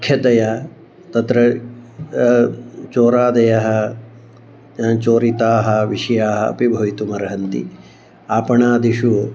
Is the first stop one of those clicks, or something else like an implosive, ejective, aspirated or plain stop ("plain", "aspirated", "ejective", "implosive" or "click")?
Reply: aspirated